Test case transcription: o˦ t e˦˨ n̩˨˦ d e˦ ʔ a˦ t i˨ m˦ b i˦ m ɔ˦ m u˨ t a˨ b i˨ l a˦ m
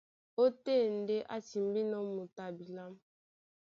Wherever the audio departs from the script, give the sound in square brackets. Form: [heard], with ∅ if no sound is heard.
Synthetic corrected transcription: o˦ t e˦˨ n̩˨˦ d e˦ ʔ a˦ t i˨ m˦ b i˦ [n] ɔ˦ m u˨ t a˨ b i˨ l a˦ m